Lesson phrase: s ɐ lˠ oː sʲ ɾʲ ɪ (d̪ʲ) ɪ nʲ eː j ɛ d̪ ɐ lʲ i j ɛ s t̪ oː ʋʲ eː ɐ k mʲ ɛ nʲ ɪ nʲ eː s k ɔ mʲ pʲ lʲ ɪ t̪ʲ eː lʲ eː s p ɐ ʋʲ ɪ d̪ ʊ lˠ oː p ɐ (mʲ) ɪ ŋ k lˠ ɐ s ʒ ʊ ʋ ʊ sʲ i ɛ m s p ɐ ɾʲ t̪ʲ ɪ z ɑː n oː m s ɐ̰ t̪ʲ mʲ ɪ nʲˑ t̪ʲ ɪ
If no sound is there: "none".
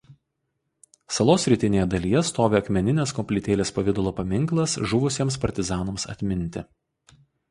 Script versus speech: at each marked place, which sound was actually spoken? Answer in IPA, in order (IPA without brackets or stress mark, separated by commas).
t̪ʲ, mʲ